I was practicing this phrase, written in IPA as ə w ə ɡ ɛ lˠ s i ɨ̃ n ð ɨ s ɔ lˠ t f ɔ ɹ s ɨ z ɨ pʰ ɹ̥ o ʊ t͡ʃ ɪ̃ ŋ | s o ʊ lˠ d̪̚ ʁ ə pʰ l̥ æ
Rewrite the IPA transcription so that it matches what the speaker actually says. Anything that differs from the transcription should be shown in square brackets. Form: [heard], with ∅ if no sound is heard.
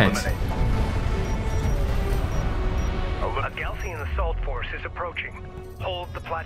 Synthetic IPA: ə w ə ɡ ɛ lˠ s i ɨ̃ n ð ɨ s ɔ lˠ t f ɔ ɹ s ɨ z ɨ pʰ ɹ̥ o ʊ t͡ʃ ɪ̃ ŋ | [h] o ʊ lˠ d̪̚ [ð] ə pʰ l̥ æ